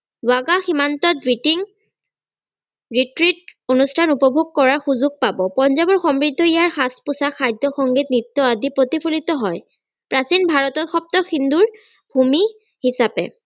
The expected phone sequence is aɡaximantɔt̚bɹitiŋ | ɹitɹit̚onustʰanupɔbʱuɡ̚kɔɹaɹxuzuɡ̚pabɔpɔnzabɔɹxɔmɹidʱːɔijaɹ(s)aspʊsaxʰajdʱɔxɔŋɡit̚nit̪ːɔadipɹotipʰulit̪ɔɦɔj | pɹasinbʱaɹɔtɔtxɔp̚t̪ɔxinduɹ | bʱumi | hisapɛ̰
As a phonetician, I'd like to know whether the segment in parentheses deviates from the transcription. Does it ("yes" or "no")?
yes